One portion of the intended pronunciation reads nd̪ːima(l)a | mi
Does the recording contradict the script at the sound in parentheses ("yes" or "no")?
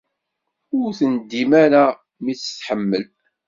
yes